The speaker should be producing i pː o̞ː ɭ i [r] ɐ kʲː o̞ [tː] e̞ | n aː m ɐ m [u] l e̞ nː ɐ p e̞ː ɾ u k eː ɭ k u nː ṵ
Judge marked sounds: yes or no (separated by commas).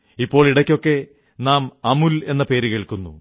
no, no, yes